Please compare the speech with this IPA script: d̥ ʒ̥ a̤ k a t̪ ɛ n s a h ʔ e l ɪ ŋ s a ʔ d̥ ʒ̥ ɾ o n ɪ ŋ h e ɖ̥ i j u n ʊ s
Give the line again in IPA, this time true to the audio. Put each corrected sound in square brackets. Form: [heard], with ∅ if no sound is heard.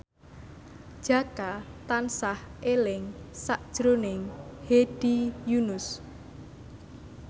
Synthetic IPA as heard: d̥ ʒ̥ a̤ k a t̪ [a] n s a h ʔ e l ɪ ŋ s a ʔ d̥ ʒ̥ ɾ o n ɪ ŋ h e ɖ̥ i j u n ʊ s